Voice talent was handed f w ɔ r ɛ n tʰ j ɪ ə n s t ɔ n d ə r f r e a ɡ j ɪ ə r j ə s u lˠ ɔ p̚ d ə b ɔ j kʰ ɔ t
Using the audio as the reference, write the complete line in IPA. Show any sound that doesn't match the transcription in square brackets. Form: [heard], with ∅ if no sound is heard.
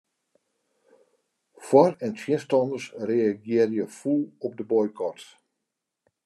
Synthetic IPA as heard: f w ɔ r ɛ n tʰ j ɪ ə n s t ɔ n d ə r [s] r e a ɡ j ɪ ə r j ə [f] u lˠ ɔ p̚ d ə b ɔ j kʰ ɔ t